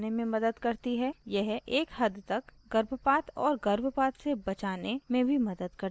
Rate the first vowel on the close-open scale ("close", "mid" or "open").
mid